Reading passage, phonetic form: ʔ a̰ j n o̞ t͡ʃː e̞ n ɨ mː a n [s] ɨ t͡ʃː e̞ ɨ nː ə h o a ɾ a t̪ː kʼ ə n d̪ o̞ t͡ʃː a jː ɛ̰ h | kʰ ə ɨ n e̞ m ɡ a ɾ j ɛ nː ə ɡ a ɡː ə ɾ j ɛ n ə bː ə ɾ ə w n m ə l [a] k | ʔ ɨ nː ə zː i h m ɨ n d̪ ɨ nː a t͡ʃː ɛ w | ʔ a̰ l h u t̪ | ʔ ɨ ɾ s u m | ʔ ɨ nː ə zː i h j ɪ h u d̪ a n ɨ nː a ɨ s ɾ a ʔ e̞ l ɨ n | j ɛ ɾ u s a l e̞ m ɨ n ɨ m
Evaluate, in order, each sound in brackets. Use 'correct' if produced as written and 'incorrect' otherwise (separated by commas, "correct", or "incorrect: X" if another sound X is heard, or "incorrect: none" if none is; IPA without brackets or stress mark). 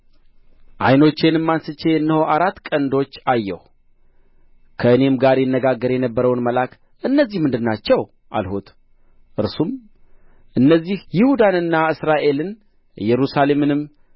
correct, correct